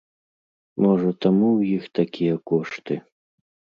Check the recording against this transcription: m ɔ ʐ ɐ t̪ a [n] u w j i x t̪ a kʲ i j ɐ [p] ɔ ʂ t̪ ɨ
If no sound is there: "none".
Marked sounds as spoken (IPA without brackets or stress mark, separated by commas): m, k